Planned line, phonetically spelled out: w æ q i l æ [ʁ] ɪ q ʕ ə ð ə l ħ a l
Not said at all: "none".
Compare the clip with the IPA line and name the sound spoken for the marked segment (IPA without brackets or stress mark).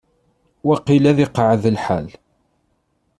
ð